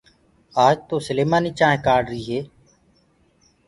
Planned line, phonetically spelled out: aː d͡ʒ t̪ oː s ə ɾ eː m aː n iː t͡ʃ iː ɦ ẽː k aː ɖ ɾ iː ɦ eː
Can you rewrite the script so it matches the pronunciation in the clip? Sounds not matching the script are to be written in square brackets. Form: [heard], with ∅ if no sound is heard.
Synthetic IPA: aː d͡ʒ t̪ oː s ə [l] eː m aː n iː t͡ʃ [aː] ɦ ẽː k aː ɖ ɾ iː ɦ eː